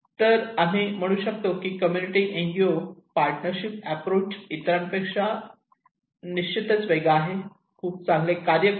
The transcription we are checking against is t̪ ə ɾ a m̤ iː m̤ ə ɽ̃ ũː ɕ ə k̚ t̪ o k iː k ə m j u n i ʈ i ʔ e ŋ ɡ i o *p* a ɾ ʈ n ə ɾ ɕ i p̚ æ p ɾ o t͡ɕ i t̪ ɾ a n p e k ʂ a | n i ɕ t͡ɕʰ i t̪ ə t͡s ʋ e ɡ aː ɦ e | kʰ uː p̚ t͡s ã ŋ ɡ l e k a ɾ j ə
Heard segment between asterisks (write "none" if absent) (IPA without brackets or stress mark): p